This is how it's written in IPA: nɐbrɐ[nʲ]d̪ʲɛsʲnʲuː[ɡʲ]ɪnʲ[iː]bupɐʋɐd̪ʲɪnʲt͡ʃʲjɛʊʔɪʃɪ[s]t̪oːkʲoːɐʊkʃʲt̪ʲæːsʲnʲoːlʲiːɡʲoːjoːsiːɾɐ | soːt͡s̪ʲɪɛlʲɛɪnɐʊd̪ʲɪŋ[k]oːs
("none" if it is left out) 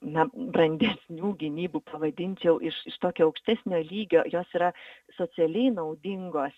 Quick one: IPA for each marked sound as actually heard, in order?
nʲ, ɡʲ, iː, ʃ, ɡ

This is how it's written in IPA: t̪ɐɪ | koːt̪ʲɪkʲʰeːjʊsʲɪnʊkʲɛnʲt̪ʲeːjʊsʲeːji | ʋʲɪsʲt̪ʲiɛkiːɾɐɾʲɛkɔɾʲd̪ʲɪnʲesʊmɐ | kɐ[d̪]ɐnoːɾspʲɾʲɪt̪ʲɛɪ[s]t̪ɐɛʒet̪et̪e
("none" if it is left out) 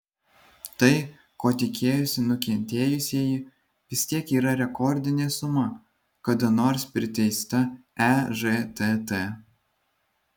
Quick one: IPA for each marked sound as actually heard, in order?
d̪, s

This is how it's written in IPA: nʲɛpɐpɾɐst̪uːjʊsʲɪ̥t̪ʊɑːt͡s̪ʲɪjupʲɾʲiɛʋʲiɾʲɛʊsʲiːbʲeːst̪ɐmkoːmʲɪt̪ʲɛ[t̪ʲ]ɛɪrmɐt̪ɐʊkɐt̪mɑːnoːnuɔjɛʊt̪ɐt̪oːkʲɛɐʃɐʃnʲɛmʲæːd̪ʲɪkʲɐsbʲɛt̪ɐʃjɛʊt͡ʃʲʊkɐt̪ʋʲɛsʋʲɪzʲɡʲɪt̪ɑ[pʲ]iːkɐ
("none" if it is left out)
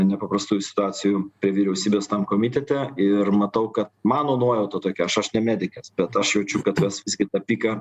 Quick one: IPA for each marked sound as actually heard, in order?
t̪ʲ, pʲ

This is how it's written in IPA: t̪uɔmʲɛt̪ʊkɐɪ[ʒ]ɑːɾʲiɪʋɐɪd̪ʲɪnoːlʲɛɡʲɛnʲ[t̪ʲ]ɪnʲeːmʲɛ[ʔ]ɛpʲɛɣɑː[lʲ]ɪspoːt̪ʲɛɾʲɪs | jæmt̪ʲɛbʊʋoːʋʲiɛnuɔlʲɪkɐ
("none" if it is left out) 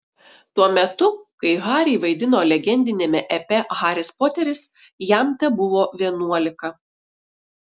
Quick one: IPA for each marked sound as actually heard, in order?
ɣ, d̪ʲ, ʔ, ɾʲ

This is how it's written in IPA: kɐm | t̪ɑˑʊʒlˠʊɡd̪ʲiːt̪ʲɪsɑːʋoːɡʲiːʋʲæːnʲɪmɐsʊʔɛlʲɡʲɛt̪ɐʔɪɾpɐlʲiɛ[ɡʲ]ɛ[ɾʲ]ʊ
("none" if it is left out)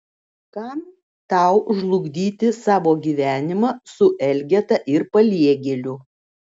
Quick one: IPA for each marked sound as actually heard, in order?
ɡʲ, lʲ

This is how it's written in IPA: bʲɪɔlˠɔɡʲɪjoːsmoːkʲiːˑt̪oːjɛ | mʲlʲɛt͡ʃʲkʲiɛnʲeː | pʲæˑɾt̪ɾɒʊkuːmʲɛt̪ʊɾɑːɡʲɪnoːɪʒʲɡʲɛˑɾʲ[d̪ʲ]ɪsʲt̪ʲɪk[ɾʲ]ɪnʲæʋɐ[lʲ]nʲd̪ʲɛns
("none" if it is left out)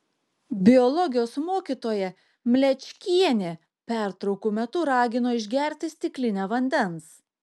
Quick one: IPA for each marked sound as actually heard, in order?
t̪ʲ, lʲ, none

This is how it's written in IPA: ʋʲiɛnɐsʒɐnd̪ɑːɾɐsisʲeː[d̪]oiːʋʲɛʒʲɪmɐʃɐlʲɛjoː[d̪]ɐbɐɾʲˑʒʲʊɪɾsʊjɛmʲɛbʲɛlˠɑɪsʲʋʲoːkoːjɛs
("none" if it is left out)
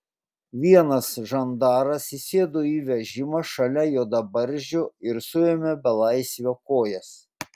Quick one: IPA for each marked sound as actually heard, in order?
d̪, d̪

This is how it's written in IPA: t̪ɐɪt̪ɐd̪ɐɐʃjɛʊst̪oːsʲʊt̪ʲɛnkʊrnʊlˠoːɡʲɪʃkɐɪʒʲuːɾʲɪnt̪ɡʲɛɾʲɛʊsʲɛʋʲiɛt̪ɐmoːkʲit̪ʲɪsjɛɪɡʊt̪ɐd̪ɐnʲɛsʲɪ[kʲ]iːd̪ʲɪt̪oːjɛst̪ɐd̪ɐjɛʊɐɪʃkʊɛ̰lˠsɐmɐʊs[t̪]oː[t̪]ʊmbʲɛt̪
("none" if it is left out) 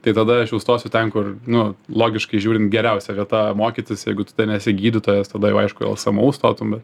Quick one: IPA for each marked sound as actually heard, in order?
ɡʲ, t̪, t̪

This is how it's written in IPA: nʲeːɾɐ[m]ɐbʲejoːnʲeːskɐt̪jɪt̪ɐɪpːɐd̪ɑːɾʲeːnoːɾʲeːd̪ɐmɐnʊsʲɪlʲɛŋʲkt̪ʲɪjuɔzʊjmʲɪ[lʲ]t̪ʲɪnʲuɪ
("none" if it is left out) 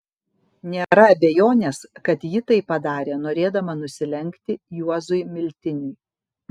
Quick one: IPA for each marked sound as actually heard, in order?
none, lʲ

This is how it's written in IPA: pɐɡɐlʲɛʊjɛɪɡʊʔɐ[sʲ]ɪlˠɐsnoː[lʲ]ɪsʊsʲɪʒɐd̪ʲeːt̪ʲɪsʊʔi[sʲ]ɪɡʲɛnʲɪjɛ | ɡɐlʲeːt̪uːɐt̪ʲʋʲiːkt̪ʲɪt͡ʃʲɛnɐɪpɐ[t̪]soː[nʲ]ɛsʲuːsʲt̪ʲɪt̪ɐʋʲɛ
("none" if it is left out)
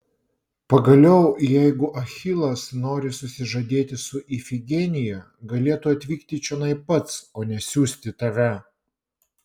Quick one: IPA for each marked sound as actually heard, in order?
xʲ, ɾʲ, fʲ, t̪, nʲ

